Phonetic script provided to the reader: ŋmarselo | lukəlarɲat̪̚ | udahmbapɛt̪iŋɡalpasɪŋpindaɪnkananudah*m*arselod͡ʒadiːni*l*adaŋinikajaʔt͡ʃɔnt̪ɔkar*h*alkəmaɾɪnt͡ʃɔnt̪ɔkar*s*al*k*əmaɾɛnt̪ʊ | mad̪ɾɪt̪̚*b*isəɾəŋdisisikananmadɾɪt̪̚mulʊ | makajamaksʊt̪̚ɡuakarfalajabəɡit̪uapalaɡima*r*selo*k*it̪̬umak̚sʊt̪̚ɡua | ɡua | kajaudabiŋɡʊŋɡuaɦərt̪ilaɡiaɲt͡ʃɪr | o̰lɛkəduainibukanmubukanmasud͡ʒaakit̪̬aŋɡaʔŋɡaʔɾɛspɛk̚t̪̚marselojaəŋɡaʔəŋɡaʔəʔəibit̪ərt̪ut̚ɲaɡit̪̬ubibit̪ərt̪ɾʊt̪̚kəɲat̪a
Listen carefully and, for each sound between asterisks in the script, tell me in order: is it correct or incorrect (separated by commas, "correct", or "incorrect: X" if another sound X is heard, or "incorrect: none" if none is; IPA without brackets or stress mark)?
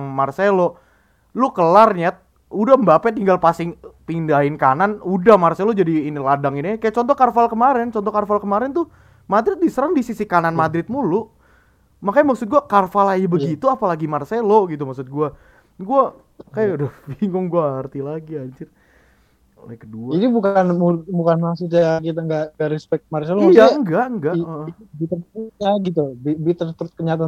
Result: correct, correct, incorrect: f, incorrect: f, correct, incorrect: d, correct, incorrect: ɡ